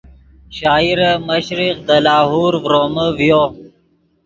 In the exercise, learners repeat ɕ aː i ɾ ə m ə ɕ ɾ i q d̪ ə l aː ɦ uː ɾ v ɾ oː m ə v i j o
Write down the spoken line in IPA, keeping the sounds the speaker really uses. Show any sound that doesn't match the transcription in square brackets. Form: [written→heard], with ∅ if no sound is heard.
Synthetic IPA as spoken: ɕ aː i ɾ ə m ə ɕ ɾ i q d̪ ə l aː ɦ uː ɾ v ɾ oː m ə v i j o